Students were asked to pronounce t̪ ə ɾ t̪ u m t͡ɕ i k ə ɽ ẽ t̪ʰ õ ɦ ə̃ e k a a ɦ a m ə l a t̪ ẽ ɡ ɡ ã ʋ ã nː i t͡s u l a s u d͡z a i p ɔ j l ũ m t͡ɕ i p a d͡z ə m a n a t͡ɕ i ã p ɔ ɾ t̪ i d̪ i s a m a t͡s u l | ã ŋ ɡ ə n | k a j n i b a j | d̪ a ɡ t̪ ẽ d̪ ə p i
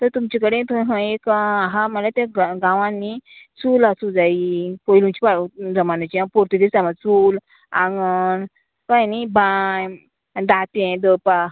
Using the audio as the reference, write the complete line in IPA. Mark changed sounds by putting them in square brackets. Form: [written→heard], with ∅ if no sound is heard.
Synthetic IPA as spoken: t̪ ə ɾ t̪ u m t͡ɕ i k ə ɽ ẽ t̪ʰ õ ɦ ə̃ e k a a ɦ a m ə l a t̪ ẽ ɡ ɡ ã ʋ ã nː i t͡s u l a s u d͡z a i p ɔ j l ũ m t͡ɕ i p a d͡z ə m a n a t͡ɕ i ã p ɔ ɾ t̪ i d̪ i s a m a t͡s u l | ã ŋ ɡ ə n | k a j n i b a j | d̪ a [ɡ→∅] t̪ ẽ d̪ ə p [i→a]